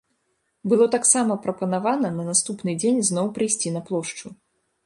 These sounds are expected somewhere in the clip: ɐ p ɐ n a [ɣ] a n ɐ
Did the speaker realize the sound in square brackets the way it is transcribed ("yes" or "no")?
no